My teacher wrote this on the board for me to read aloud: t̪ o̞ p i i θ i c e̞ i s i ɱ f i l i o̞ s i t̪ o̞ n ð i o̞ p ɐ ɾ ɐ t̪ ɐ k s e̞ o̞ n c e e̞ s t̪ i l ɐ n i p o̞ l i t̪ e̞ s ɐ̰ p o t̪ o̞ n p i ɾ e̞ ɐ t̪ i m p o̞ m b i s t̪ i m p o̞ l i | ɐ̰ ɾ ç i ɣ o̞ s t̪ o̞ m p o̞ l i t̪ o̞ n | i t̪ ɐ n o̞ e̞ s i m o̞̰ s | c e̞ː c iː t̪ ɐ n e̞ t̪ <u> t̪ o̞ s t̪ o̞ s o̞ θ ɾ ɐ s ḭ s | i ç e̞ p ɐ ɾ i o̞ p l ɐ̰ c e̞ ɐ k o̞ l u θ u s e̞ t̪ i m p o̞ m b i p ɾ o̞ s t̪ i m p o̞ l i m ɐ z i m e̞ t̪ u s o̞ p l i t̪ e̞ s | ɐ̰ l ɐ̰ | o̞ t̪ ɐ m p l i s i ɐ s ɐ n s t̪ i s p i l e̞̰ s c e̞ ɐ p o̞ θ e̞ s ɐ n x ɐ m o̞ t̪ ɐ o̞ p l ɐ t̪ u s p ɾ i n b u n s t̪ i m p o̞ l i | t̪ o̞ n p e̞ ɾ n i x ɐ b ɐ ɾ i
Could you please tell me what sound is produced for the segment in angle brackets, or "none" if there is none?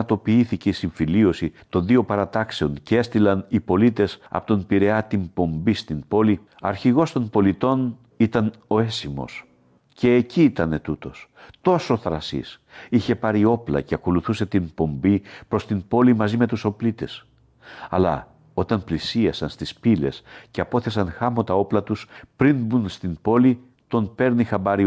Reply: u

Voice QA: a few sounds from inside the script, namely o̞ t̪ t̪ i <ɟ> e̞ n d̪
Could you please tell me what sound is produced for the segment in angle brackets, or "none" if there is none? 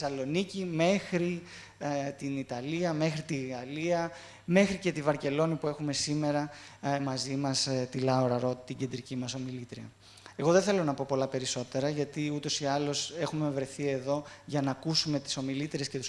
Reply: ɟ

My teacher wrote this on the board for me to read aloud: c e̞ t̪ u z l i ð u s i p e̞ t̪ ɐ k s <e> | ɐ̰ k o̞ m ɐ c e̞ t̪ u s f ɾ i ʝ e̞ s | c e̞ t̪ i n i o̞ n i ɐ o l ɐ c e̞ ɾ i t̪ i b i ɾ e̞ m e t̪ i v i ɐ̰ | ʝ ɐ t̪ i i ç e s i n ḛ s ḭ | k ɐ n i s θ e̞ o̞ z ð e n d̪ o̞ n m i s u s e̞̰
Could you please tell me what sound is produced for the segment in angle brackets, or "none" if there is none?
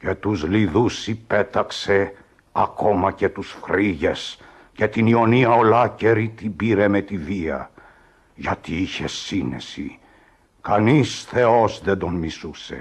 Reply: e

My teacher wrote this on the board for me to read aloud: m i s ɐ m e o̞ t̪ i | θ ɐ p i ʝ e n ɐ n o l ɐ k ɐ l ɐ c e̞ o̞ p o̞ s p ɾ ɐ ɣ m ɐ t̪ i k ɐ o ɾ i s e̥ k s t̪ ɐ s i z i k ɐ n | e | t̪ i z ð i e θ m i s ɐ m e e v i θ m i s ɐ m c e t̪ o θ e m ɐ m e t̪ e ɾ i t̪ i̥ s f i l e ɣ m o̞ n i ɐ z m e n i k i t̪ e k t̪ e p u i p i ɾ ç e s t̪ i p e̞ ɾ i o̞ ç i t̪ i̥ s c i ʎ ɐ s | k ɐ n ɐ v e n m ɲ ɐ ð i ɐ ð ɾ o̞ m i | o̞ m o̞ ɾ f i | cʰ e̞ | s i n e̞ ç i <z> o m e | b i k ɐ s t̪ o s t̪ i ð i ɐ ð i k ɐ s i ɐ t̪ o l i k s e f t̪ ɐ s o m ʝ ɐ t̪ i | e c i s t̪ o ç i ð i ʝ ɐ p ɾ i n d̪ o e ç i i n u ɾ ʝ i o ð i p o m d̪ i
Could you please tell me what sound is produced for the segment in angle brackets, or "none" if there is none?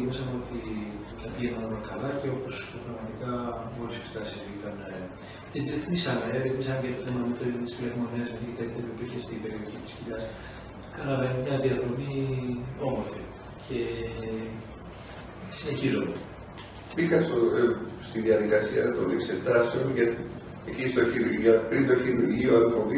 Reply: z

